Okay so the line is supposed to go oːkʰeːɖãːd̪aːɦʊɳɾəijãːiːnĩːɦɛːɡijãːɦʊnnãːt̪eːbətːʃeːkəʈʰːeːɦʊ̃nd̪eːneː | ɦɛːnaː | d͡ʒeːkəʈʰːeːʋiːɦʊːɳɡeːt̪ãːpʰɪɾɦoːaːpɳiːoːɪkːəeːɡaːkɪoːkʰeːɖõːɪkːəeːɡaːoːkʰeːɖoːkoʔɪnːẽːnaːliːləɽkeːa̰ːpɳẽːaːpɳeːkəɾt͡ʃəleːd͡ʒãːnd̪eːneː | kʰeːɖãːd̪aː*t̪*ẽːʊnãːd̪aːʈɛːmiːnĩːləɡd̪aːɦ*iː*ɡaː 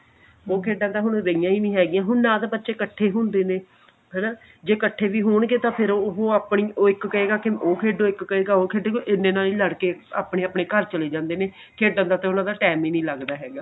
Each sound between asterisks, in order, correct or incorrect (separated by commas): correct, incorrect